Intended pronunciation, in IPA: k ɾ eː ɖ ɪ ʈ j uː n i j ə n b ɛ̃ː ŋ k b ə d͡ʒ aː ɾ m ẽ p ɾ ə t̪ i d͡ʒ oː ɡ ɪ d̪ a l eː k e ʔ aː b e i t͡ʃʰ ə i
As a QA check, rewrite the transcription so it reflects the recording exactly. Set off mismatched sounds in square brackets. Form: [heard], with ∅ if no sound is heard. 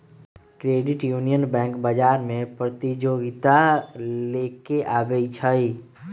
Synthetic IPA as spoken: k ɾ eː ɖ ɪ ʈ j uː n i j ə n b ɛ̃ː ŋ k b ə d͡ʒ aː ɾ m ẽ p ɾ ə t̪ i d͡ʒ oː ɡ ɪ [t̪] a l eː k e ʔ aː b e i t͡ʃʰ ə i